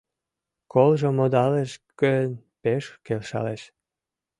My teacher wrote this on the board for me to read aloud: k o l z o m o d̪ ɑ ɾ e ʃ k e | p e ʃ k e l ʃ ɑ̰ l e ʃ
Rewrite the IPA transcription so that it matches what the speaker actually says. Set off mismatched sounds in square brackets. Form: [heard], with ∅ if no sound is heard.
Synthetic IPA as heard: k o l [ʒ] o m o d̪ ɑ [l] e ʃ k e | p e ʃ k e l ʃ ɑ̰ l e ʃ